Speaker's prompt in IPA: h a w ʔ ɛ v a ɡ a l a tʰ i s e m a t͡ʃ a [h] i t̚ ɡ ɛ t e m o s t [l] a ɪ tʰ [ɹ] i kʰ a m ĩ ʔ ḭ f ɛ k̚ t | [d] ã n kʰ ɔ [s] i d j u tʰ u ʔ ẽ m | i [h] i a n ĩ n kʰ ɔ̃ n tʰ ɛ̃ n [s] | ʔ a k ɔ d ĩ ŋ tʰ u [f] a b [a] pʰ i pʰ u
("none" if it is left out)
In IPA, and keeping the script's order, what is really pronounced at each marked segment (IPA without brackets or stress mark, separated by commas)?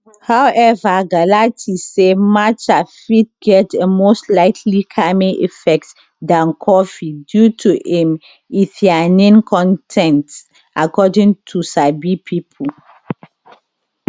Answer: f, l, l, d, f, θ, t, s, i